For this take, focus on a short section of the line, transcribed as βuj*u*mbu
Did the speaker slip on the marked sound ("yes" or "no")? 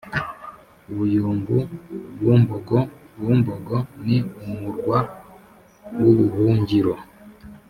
yes